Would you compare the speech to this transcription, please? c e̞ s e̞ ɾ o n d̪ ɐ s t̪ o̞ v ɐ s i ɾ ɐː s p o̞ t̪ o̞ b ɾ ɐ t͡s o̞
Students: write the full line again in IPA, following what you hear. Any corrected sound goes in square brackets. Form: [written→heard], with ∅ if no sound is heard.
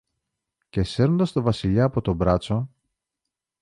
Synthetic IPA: c e̞ s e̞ ɾ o n d̪ ɐ s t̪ o̞ v ɐ s i [ɾ→ʎ] ɐː [s→∅] p o̞ t̪ o̞ b ɾ ɐ t͡s o̞